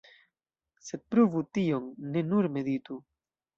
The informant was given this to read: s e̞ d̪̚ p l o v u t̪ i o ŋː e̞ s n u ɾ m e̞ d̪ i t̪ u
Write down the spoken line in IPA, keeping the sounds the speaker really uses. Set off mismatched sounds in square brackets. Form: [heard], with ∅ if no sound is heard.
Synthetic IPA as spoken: s e̞ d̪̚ p [ɾ] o v u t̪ i o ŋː e̞ [∅] n u ɾ m e̞ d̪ i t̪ u